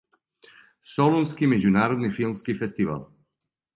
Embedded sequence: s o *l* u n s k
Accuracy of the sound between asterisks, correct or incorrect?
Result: correct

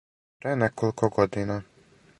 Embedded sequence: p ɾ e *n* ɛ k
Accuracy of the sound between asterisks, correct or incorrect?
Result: correct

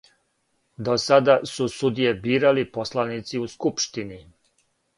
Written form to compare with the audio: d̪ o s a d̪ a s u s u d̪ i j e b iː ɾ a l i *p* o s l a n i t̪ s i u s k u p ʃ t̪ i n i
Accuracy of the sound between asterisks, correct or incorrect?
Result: correct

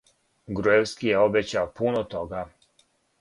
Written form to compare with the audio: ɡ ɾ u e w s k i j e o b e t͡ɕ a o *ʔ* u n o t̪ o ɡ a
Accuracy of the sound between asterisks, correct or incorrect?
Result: incorrect: p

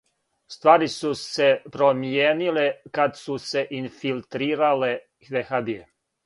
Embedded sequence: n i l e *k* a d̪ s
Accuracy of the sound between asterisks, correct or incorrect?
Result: correct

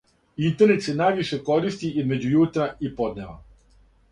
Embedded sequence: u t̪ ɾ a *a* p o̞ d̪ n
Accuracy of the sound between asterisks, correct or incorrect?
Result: incorrect: i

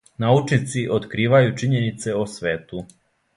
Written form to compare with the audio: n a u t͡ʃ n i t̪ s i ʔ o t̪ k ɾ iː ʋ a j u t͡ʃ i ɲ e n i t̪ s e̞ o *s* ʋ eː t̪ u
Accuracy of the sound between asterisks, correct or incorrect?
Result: correct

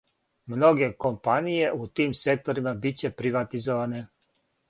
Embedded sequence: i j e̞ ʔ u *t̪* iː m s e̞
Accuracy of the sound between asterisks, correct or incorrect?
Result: correct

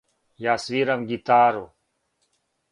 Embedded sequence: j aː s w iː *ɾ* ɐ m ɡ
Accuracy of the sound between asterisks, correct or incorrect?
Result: correct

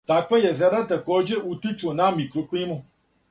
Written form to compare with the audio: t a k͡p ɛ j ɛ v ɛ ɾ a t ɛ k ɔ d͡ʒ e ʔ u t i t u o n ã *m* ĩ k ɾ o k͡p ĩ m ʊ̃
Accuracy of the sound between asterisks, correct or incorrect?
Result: correct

